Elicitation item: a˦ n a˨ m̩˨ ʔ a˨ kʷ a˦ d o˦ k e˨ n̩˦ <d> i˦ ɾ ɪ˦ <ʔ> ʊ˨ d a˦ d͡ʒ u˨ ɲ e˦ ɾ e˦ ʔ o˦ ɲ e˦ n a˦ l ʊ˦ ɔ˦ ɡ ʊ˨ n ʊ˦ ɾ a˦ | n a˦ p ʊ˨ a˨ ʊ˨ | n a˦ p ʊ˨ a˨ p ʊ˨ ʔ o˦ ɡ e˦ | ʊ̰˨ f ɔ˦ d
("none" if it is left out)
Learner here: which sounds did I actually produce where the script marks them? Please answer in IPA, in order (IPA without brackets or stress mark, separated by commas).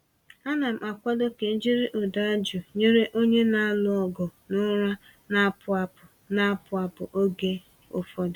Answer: d͡ʒ, ʔ